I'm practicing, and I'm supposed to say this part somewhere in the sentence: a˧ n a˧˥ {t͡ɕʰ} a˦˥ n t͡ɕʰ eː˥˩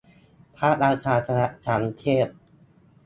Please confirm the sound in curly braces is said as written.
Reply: yes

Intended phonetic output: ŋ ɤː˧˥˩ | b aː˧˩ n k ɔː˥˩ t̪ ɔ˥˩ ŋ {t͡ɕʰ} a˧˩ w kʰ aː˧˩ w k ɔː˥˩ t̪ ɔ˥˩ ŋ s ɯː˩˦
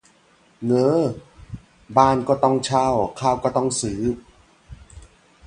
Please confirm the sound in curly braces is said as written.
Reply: yes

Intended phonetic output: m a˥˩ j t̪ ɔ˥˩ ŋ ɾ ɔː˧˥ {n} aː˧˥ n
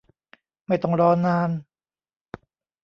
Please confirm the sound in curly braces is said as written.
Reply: yes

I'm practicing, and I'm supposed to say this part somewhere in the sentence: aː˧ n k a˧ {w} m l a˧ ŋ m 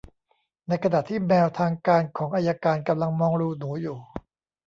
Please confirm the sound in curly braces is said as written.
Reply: no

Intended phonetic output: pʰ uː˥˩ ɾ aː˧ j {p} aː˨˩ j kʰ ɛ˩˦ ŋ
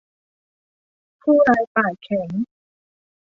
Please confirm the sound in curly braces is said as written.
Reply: yes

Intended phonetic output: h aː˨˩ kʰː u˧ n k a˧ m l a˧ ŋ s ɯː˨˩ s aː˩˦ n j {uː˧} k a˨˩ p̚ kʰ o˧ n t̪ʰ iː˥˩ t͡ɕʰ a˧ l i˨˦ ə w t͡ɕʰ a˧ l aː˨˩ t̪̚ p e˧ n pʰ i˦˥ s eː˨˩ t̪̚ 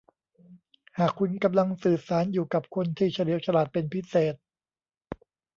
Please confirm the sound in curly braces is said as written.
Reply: no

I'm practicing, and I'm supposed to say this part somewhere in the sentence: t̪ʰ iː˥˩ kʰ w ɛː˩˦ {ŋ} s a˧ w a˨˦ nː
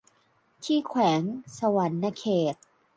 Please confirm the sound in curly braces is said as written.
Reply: yes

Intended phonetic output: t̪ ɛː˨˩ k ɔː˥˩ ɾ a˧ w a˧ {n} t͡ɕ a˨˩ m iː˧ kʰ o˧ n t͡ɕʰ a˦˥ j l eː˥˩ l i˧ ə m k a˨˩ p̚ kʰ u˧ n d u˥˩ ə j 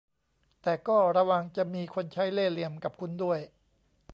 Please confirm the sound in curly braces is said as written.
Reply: no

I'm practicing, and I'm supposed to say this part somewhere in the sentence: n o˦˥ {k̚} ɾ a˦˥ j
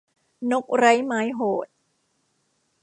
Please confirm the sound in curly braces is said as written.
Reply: yes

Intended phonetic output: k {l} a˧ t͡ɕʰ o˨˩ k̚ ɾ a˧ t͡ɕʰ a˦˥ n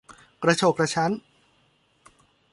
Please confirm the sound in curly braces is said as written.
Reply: no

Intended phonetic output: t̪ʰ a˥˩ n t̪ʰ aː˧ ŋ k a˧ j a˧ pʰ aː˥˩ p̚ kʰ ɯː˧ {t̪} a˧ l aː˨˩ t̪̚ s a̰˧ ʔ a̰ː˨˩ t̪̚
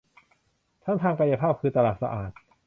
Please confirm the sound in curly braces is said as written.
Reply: yes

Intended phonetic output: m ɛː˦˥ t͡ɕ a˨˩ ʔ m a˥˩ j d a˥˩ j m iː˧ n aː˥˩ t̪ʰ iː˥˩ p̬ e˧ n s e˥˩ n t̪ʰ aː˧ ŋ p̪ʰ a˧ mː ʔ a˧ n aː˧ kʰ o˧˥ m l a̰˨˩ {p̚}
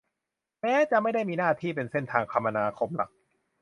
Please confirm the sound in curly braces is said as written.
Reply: no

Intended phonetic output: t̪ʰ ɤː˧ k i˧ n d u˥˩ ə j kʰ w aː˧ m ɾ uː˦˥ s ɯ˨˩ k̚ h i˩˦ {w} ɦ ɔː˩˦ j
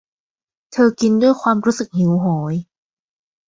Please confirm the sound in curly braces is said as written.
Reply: yes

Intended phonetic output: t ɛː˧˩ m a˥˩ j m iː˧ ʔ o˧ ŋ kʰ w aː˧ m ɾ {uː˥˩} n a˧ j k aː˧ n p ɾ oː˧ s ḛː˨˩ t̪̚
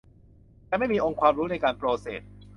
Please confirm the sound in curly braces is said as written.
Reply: no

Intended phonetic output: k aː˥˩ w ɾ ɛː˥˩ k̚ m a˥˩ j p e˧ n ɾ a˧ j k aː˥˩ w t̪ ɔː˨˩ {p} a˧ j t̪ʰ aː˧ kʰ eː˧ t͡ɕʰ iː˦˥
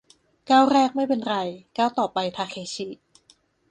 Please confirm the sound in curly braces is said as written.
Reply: yes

